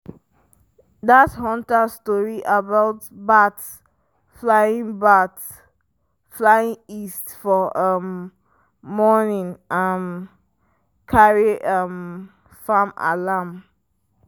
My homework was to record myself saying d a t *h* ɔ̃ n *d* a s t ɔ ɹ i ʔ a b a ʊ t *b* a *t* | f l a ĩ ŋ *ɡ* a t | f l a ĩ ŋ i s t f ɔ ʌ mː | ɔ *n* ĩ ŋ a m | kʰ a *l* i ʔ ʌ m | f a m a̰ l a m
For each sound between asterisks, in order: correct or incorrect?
correct, incorrect, correct, correct, incorrect, correct, incorrect

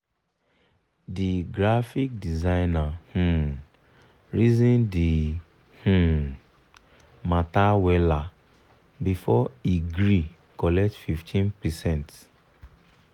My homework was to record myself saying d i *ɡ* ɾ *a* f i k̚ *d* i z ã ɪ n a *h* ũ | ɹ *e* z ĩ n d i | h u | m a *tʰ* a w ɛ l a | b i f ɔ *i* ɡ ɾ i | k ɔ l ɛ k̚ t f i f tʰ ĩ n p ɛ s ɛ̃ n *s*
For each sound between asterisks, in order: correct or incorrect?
correct, correct, correct, correct, incorrect, incorrect, correct, incorrect

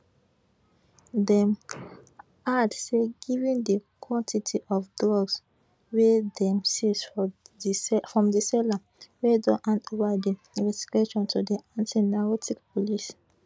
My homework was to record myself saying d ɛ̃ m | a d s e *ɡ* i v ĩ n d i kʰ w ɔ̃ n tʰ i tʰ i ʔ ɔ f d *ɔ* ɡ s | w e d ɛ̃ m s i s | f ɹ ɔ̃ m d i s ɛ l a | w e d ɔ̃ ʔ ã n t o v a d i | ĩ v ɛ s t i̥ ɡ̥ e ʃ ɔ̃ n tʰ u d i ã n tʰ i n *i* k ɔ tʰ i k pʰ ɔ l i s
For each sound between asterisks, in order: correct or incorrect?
correct, correct, incorrect

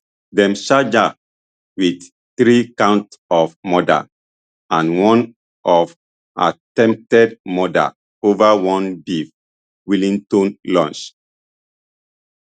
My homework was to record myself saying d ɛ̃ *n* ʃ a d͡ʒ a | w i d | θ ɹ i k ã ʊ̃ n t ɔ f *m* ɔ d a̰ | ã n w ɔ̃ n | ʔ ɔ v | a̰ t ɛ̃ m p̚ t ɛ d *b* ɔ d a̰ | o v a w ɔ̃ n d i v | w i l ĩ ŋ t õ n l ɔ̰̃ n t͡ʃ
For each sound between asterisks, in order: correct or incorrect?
incorrect, correct, incorrect

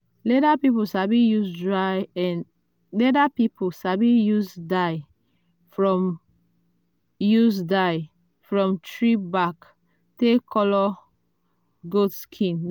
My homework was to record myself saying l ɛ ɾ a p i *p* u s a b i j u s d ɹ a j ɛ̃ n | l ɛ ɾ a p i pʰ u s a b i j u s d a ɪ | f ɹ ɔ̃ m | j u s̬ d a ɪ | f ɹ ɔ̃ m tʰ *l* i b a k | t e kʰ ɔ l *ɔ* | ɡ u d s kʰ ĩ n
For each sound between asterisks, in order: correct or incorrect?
correct, incorrect, correct

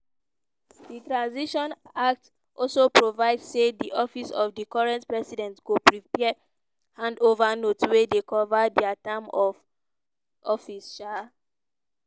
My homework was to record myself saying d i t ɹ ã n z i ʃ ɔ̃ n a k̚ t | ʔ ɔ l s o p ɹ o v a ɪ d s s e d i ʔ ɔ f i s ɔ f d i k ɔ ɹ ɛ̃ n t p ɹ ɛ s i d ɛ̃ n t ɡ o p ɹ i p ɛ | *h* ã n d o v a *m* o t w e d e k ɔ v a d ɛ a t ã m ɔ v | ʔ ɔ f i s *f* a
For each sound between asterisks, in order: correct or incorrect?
correct, incorrect, incorrect

